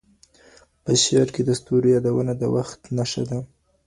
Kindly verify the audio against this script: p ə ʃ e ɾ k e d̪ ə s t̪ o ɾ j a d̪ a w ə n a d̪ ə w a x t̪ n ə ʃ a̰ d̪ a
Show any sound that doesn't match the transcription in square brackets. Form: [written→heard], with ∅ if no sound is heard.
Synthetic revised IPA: p ə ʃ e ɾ k e d̪ ə s t̪ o ɾ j [a→ɑ] d̪ a w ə n a d̪ ə w a x t̪ n [ə→a] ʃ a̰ d̪ a